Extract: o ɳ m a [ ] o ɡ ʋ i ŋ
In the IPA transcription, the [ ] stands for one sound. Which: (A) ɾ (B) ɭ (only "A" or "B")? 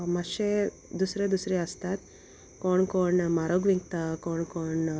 A